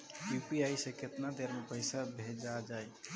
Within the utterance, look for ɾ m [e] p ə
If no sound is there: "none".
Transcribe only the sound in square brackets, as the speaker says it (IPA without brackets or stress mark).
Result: e